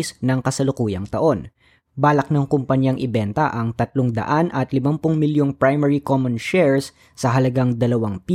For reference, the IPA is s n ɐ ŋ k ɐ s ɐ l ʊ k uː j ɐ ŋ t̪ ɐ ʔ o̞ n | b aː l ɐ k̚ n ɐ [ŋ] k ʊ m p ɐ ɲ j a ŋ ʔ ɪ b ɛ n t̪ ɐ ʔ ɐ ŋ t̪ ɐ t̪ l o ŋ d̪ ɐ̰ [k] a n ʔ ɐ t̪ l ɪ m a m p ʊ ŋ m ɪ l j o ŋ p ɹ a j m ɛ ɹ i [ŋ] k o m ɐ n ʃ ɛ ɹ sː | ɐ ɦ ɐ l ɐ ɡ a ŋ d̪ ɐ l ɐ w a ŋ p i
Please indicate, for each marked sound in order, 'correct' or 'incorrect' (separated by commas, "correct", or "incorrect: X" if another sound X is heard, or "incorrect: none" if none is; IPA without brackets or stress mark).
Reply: correct, incorrect: ʔ, incorrect: none